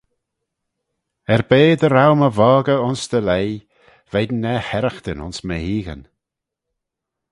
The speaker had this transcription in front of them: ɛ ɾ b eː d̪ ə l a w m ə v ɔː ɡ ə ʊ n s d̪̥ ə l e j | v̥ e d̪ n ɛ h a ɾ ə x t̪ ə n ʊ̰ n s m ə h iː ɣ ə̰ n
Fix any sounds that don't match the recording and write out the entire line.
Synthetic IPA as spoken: ɛ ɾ b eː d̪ ə ɾ a w m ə v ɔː ɡ ə ʊ n s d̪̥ ə l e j | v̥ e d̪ n ɛ h ɛ ɾ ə x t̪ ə n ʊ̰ n s m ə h iː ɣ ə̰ n